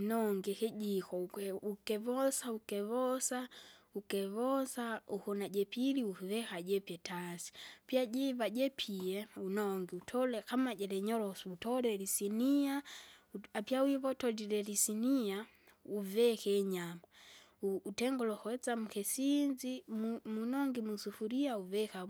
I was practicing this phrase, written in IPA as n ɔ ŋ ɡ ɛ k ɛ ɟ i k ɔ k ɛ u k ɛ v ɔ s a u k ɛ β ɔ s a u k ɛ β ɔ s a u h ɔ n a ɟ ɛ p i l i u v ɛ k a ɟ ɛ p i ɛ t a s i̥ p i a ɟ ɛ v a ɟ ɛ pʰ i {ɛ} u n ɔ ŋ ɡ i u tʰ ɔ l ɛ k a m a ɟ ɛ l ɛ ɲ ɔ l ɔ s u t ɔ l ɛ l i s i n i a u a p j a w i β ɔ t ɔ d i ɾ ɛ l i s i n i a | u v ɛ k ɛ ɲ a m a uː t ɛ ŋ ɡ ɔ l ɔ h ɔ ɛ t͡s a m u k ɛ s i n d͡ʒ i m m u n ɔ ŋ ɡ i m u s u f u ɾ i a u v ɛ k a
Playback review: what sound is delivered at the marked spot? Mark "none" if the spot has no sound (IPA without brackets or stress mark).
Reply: ɛ